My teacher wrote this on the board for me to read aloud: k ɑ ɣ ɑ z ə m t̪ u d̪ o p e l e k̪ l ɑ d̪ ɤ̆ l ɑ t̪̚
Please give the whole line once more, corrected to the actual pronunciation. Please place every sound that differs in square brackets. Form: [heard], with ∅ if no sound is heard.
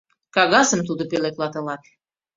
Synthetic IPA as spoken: k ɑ ɣ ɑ [s] ə m t̪ u d̪ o p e l e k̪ l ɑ [t̪] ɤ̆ l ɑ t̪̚